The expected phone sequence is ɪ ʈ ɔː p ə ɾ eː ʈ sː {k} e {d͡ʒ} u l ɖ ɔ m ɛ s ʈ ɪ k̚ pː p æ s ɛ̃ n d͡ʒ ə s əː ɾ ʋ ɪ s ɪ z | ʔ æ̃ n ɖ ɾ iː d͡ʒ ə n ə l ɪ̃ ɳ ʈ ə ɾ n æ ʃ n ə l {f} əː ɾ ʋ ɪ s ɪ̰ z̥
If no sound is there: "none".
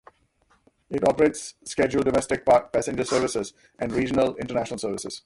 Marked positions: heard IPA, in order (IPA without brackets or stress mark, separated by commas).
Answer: k, d͡ʒ, s